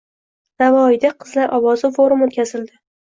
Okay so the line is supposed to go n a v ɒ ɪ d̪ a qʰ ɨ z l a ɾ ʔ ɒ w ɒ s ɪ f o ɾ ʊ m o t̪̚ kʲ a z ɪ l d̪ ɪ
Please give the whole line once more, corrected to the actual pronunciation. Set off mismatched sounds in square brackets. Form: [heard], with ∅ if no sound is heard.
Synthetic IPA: n a v ɒ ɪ d̪ a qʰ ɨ z l a ɾ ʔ ɒ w ɒ [z] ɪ f o ɾ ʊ m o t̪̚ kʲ a z ɪ l d̪ ɪ